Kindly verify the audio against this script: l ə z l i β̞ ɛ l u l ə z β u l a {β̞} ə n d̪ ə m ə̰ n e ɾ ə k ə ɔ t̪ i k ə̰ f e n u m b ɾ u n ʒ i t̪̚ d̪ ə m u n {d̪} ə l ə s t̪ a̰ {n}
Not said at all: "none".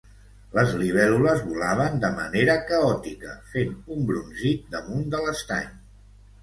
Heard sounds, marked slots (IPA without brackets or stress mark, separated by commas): β̞, d̪, ɲ